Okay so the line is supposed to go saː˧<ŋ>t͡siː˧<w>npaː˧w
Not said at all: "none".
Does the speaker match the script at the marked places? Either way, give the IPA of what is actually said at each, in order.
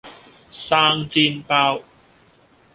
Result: ŋ, none

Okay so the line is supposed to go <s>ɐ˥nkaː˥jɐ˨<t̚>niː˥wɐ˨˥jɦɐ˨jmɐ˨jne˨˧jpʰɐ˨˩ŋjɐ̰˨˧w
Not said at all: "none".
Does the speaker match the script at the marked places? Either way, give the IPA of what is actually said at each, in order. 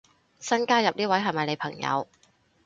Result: s, p̚

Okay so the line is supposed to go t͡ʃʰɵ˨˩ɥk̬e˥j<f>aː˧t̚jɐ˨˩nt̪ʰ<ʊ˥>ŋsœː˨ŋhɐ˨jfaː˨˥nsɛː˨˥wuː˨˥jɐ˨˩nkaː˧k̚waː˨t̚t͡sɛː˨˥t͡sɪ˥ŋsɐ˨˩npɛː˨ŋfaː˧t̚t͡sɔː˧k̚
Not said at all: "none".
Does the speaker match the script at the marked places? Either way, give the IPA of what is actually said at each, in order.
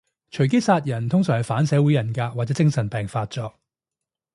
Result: s, ʊ˥

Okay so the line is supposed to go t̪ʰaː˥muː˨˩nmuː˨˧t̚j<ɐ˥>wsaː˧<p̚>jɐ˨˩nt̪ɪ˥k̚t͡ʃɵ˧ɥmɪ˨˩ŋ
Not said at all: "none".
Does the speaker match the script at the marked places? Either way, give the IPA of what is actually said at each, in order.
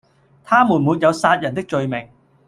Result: ɐ˨˧, t̚

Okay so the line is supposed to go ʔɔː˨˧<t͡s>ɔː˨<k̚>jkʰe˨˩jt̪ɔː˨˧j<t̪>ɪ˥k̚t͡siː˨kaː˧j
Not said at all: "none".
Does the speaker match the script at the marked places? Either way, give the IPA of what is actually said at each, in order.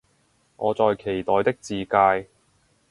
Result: t͡s, none, t̪

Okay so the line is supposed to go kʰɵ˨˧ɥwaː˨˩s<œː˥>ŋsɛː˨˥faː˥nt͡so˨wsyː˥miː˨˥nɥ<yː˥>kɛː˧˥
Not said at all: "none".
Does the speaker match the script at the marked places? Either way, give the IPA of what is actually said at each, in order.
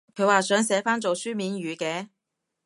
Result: œː˨˥, yː˨˧

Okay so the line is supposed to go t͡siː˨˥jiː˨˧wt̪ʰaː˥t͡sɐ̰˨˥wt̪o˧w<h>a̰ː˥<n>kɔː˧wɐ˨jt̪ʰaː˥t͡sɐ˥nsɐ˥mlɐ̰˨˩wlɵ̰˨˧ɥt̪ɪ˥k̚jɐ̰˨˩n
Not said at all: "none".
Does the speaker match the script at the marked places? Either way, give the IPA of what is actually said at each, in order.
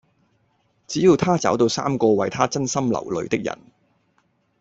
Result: s, m

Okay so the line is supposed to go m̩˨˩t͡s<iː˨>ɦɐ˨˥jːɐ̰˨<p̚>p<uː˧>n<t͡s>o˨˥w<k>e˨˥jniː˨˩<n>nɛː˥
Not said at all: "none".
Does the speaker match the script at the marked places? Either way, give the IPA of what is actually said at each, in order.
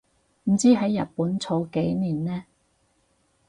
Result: iː˥, t̚, uː˨˥, t͡sʰ, k, n

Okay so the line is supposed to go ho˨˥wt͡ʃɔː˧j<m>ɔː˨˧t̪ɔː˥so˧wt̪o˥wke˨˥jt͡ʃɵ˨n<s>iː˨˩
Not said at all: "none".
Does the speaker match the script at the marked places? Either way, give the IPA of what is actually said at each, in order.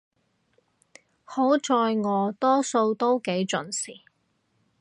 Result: ŋ, s

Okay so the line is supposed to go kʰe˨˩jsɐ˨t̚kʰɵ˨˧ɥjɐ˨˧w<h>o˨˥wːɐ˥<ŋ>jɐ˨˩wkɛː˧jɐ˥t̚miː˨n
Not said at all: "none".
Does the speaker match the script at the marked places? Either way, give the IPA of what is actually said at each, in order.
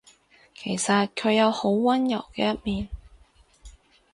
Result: h, n

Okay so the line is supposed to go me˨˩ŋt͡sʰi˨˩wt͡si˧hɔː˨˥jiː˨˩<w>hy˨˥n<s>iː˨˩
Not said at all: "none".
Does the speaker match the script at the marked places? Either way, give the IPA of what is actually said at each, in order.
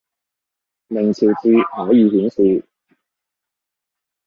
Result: none, s

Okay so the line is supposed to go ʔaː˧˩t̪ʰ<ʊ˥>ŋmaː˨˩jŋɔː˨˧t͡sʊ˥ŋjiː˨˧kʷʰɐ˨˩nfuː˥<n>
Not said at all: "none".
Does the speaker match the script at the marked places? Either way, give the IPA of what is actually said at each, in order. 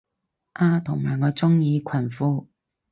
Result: ʊ˨˩, none

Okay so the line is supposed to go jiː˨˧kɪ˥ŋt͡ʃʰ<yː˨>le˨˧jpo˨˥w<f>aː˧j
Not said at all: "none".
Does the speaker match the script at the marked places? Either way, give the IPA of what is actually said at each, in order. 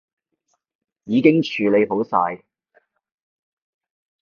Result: yː˨, s

